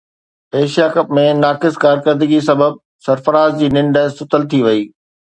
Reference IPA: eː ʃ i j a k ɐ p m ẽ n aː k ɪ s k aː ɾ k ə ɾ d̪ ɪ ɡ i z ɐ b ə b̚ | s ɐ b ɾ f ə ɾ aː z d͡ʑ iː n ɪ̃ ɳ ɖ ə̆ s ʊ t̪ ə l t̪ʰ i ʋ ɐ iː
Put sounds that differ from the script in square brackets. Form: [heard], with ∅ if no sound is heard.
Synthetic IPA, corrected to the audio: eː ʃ i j a k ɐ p m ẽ n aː k ɪ s k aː ɾ k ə ɾ d̪ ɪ ɡ i [s] ɐ b ə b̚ | s ɐ [∅] ɾ f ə ɾ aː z d͡ʑ iː n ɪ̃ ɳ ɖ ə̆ s ʊ t̪ ə l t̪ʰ i ʋ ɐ iː